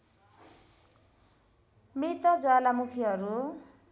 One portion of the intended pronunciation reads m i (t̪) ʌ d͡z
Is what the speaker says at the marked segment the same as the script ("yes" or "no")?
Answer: yes